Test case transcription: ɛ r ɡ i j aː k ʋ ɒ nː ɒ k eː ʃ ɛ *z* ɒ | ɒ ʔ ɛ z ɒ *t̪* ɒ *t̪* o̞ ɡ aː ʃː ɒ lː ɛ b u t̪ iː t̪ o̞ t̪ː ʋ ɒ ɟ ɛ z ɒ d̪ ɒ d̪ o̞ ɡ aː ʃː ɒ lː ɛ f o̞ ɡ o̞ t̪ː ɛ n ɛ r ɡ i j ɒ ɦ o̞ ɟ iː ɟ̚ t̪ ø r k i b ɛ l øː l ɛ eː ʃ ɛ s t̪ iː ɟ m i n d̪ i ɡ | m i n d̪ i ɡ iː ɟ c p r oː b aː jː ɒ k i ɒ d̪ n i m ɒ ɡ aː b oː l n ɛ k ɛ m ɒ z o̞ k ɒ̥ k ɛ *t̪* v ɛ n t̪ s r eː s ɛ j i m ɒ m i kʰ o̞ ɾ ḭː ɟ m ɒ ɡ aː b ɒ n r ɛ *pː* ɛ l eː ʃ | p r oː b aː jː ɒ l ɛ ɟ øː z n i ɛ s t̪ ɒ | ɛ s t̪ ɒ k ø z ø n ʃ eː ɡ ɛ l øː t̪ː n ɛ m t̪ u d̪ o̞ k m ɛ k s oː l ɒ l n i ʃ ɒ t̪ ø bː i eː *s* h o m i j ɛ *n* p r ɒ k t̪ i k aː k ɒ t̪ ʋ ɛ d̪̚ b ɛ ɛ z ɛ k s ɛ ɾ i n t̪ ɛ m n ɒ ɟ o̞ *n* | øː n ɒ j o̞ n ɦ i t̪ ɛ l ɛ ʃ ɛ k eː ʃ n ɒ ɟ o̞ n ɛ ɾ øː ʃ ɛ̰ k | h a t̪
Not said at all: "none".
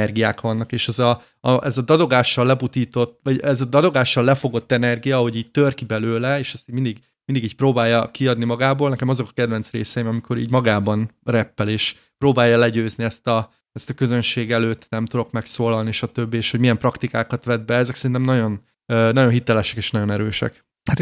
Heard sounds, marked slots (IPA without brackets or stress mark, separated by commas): z, d̪, d̪, d̪, pː, ʃ, m, n